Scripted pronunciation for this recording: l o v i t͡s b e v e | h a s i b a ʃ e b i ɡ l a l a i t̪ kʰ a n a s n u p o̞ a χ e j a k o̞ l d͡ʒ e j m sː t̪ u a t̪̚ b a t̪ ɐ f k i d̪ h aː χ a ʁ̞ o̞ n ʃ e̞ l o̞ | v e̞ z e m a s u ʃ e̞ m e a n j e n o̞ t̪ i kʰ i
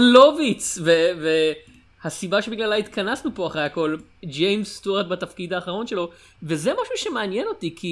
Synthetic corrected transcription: l o v i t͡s v e v e | h a s i b a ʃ e b i ɡ l a l a i t̪ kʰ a n a s n u p o̞ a χ e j a k o̞ l d͡ʒ e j m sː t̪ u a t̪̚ b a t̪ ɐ f k i d̪ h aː χ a ʁ̞ o̞ n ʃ e̞ l o̞ | v e̞ z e m a ʃ u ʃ e̞ m e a n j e n o̞ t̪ i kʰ i